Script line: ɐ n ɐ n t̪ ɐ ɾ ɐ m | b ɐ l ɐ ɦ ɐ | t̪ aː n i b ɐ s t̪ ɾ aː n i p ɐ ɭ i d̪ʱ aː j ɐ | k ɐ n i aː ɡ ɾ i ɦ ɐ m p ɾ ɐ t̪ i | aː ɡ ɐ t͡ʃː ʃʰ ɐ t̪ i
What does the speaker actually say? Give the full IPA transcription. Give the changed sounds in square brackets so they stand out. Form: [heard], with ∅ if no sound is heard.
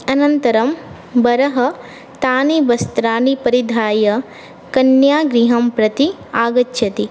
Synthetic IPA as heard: ɐ n ɐ n t̪ ɐ ɾ ɐ m | b ɐ [ɾ] ɐ ɦ ɐ | t̪ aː n i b ɐ s t̪ ɾ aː n i p ɐ [ɾ] i d̪ʱ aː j ɐ | k ɐ n [j] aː ɡ ɾ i ɦ ɐ m p ɾ ɐ t̪ i | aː ɡ ɐ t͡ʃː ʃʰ ɐ t̪ i

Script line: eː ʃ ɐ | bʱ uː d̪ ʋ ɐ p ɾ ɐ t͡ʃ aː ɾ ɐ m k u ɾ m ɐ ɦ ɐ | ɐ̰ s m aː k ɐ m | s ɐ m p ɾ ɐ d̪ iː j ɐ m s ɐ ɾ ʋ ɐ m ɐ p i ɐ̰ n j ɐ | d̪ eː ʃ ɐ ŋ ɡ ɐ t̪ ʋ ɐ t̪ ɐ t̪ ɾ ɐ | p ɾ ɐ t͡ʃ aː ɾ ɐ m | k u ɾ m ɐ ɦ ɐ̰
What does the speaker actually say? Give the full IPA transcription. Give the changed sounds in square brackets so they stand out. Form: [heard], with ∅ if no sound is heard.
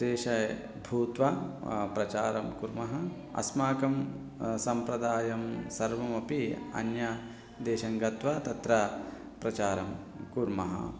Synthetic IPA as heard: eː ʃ ɐ | bʱ uː [t̪] ʋ ɐ p ɾ ɐ t͡ʃ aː ɾ ɐ m k u ɾ m ɐ ɦ ɐ | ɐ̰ s m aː k ɐ m | s ɐ m p ɾ ɐ d̪ [aː] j ɐ m s ɐ ɾ ʋ ɐ m ɐ p i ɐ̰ n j ɐ | d̪ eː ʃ ɐ ŋ ɡ ɐ t̪ ʋ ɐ t̪ ɐ t̪ ɾ ɐ | p ɾ ɐ t͡ʃ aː ɾ ɐ m | k u ɾ m ɐ ɦ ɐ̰

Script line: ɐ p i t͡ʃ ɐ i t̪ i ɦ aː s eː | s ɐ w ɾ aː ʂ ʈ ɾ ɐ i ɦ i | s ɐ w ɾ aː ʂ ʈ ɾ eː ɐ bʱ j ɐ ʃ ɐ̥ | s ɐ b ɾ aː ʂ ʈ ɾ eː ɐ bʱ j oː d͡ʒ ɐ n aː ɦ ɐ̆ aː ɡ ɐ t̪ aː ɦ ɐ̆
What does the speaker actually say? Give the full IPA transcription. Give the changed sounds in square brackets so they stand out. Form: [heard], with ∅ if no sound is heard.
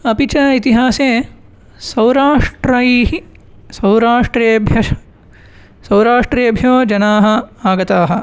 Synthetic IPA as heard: ɐ p i t͡ʃ ɐ i t̪ i ɦ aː s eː | s ɐ w ɾ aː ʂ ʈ ɾ ɐ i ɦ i | s ɐ w ɾ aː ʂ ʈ ɾ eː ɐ bʱ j ɐ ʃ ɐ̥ | s ɐ [w] ɾ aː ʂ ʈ ɾ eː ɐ bʱ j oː d͡ʒ ɐ n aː ɦ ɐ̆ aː ɡ ɐ t̪ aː ɦ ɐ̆

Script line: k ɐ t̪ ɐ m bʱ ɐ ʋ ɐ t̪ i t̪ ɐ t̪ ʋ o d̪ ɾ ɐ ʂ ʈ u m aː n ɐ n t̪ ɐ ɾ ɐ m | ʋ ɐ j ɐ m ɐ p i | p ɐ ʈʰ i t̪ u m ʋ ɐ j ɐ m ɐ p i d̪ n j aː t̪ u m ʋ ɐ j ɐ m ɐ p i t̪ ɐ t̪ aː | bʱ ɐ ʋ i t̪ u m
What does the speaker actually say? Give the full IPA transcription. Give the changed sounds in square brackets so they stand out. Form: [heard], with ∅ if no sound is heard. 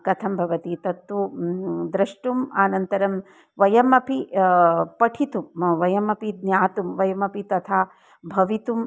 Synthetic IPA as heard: k ɐ [t̪ʰ] ɐ m bʱ ɐ ʋ ɐ t̪ i t̪ ɐ t̪ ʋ [u] d̪ ɾ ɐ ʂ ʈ u m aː n ɐ n t̪ ɐ ɾ ɐ m | ʋ ɐ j ɐ m ɐ p i | p ɐ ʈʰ i t̪ u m ʋ ɐ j ɐ m ɐ p i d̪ n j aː t̪ u m ʋ ɐ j ɐ m ɐ p i t̪ ɐ [t̪ʰ] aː | bʱ ɐ ʋ i t̪ u m

